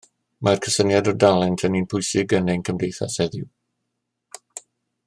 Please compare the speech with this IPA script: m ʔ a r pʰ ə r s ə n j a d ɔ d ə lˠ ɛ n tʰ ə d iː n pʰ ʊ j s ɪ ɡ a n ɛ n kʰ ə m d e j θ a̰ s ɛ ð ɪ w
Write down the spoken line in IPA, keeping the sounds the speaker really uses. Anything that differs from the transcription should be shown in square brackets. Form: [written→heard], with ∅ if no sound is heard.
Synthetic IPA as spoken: m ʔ a r [pʰ→kʰ] ə [r→∅] s ə n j a d ɔ d [ə→a] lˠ ɛ n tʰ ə [d→n] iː n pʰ ʊ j s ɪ ɡ [a→ə] n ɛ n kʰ ə m d e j θ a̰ s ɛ ð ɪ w